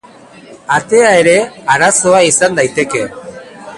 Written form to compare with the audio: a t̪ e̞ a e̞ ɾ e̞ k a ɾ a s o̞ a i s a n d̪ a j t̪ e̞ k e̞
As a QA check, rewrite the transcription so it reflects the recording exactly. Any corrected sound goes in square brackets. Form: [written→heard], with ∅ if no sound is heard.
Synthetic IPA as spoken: a t̪ e̞ a e̞ ɾ e̞ [k→∅] a ɾ a s o̞ a i s a n d̪ a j t̪ e̞ k e̞